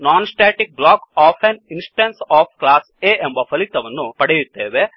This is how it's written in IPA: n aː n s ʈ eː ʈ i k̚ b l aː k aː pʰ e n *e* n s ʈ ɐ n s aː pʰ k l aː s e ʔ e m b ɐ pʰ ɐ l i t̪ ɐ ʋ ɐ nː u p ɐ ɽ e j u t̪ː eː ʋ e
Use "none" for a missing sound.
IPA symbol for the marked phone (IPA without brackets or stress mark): i